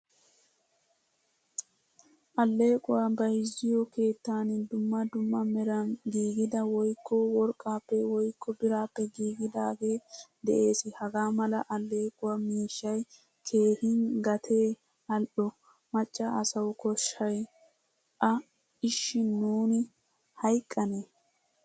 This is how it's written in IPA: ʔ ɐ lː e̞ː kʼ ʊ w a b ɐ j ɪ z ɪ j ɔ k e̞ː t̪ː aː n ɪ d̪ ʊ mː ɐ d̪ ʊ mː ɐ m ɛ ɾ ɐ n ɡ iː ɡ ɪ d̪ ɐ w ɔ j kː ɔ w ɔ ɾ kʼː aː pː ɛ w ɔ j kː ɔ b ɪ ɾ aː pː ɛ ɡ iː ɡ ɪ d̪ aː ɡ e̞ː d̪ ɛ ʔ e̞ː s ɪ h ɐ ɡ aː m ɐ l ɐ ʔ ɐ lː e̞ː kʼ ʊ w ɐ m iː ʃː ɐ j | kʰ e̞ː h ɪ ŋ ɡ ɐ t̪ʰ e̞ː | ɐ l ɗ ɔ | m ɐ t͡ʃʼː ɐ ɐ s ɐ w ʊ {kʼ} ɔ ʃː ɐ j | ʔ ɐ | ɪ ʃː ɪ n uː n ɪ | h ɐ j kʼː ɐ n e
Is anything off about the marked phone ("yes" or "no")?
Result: yes